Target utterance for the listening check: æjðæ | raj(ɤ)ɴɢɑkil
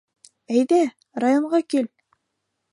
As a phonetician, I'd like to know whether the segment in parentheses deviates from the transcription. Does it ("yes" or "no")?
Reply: yes